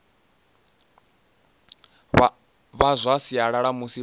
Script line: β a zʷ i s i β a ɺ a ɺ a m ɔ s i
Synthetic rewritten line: β a zʷ a s i a ɺ a ɺ a m u s i